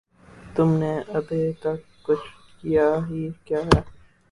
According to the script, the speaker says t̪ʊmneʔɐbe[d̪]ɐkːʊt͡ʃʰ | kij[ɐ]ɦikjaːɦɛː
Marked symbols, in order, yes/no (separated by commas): no, no